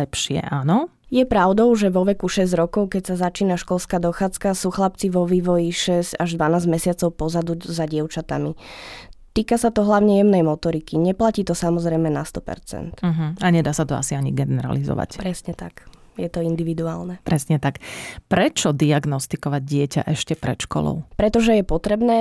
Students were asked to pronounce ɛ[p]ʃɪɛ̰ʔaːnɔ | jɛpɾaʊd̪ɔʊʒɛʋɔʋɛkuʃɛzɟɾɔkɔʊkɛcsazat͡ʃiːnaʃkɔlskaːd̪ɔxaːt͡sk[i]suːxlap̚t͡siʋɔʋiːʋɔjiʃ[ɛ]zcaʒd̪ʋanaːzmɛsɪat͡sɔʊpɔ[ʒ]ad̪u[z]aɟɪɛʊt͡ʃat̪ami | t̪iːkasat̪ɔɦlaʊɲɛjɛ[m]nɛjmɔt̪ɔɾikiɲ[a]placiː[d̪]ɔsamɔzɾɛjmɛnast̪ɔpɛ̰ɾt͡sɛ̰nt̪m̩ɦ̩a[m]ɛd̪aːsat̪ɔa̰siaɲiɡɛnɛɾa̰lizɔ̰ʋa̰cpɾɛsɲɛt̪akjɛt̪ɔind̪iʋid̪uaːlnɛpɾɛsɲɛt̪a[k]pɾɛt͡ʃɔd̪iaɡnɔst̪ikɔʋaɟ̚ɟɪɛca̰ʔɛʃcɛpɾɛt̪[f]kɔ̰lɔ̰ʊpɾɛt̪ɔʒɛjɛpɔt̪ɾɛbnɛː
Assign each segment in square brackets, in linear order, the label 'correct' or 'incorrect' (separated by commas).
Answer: correct, incorrect, correct, incorrect, correct, correct, incorrect, incorrect, incorrect, correct, incorrect